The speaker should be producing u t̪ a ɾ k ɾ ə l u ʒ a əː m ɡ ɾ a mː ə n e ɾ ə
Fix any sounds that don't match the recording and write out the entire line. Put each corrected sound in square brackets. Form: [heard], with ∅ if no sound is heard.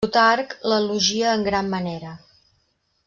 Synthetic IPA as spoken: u t̪ a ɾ k [l] ə l u ʒ [i] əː [ŋ] ɡ ɾ a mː ə n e ɾ ə